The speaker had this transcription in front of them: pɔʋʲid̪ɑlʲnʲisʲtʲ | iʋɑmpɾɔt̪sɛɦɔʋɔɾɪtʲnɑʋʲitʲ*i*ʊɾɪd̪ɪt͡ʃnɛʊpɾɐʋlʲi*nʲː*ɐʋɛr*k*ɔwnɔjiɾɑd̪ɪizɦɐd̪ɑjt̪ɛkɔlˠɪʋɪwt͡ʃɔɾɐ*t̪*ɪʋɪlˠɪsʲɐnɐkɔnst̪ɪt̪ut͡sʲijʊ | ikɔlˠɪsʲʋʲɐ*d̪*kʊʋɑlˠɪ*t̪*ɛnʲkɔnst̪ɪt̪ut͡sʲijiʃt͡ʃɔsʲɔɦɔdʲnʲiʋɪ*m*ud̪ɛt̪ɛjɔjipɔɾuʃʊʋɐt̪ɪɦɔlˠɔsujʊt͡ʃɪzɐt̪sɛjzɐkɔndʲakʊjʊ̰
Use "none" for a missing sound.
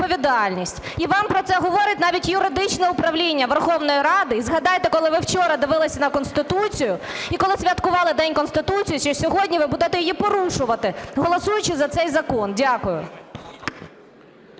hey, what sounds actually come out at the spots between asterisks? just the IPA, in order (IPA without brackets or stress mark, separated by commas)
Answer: j, nʲː, x, d̪, t̪, d̪, b